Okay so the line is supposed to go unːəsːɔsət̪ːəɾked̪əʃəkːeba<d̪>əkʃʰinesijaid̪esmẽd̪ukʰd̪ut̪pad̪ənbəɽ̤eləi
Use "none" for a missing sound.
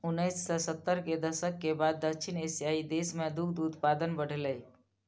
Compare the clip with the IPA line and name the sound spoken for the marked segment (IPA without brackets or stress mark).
d̪ː